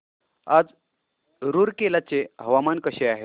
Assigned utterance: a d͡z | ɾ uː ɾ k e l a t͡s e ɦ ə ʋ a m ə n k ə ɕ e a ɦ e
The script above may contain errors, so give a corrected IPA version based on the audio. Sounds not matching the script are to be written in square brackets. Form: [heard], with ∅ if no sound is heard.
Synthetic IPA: a d͡z | ɾ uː ɾ k e l a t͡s e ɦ ə ʋ a m [a] n k ə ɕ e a ɦ e